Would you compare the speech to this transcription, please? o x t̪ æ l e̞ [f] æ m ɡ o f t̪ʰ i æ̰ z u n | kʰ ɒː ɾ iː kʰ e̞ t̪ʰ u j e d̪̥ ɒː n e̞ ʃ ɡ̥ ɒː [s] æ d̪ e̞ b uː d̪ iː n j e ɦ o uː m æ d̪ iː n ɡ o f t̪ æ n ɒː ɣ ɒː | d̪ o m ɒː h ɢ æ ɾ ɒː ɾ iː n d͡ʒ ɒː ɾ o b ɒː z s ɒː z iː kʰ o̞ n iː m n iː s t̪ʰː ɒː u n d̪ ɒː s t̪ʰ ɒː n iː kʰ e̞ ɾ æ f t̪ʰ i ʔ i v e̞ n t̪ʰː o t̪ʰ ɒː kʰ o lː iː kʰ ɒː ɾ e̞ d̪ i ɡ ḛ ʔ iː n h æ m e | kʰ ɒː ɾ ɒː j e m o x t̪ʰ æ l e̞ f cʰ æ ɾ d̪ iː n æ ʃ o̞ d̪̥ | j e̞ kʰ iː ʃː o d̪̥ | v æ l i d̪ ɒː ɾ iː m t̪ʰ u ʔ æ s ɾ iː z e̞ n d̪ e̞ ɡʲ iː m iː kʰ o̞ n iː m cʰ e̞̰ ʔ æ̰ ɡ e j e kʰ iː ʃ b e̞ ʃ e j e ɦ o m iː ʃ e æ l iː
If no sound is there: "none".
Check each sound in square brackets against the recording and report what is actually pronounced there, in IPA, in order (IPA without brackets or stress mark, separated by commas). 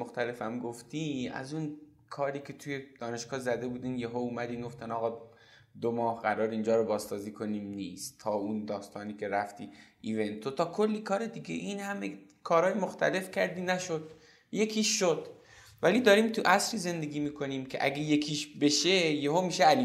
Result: f, z